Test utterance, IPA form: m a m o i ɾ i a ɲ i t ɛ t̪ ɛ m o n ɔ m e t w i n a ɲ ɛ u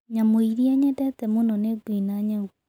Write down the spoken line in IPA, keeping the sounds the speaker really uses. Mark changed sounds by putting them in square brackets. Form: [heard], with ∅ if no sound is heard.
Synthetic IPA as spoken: [ɲ] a m o i ɾ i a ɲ [ɛ] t ɛ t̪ ɛ m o n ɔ [n] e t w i n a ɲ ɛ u